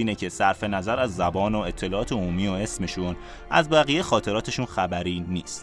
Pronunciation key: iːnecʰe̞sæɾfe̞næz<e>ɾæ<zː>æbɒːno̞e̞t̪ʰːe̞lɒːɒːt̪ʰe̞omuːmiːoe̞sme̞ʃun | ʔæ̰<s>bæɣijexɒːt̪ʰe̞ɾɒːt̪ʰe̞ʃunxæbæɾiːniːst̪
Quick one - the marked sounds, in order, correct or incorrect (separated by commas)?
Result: incorrect, correct, incorrect